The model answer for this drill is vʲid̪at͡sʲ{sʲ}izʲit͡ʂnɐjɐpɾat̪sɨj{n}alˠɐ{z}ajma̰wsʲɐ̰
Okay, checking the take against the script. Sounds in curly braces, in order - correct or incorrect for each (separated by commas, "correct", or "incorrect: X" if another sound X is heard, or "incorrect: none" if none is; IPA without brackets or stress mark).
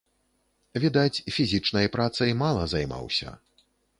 incorrect: fʲ, incorrect: m, correct